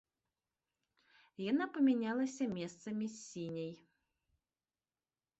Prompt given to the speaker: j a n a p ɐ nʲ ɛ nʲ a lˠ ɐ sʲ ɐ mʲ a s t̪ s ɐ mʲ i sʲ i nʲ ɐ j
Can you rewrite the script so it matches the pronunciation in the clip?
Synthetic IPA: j a n a p ɐ mʲ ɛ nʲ a lˠ ɐ sʲ ɐ mʲ ɛ s t̪ s ɐ mʲ i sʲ i nʲ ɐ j